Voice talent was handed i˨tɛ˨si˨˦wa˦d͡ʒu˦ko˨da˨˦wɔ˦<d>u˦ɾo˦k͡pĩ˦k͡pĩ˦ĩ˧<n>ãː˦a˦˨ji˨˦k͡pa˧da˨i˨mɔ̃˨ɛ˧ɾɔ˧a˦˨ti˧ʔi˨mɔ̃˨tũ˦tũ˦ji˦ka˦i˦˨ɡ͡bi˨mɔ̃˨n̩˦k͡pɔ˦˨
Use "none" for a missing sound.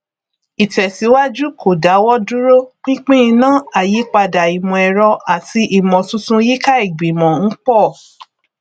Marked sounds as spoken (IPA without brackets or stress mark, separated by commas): d, n